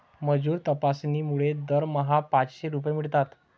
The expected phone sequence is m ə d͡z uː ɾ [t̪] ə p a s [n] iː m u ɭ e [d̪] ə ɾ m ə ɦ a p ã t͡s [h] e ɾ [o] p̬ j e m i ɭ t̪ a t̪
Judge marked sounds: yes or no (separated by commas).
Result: yes, yes, yes, no, no